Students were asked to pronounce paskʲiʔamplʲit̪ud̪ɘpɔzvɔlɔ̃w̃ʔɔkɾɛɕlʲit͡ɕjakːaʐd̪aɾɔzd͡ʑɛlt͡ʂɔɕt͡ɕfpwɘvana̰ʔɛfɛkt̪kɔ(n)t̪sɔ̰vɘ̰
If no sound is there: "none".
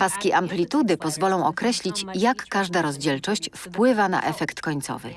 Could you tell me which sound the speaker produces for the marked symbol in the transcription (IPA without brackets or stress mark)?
ɲ